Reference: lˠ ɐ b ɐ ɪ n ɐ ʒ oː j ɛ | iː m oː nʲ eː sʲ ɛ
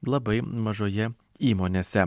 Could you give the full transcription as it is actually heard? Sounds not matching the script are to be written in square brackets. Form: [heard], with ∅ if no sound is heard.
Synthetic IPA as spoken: lˠ ɐ b ɐ ɪ [m] ɐ ʒ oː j ɛ | iː m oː nʲ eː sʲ ɛ